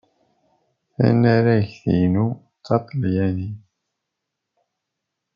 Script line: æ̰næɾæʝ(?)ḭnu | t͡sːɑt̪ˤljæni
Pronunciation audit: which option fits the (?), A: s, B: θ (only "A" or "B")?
B